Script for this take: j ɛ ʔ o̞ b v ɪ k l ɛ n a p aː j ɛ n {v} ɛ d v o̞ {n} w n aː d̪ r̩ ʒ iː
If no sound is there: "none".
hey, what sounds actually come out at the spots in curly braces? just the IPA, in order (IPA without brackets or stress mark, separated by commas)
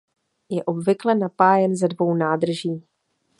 z, none